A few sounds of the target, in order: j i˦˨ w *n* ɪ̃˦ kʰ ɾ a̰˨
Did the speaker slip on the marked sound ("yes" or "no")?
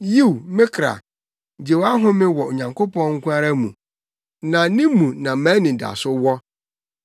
yes